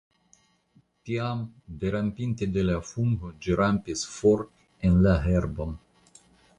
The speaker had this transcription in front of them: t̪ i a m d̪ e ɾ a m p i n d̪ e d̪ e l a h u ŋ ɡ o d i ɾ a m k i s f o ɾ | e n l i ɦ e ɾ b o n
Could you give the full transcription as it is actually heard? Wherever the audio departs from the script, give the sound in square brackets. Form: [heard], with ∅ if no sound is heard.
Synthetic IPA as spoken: t̪ i a m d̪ e ɾ a m p i n [t̪] e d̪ e l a [f] u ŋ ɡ o [d͡ʒ] i ɾ a m [p] i s f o ɾ | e n l [a] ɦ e ɾ b o n